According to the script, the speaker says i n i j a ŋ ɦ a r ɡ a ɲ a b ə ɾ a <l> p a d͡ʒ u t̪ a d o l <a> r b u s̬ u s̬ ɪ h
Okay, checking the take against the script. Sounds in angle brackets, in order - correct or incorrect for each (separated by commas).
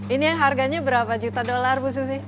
incorrect, correct